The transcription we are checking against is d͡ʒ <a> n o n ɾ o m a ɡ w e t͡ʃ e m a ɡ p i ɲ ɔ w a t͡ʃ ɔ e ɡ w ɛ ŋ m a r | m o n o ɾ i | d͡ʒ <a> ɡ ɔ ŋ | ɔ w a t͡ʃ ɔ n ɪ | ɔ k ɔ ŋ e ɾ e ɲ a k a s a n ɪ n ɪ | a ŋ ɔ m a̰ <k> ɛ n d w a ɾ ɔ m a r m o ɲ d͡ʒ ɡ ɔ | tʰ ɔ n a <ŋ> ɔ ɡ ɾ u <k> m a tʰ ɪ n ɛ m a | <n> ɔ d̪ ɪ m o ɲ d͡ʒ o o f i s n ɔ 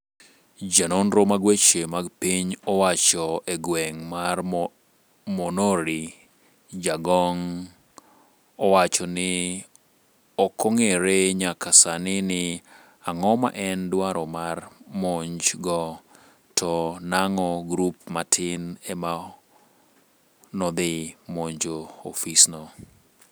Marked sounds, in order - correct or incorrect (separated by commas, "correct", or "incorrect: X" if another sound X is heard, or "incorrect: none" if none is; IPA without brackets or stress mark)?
correct, correct, incorrect: ʔ, correct, incorrect: p, correct